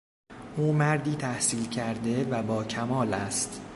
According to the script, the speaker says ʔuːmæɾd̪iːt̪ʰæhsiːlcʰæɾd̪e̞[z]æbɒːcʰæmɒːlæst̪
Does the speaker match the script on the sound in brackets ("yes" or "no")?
no